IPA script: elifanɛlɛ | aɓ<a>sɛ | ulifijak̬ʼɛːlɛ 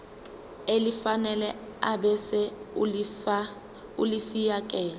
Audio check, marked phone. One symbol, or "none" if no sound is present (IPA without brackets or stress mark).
ɛ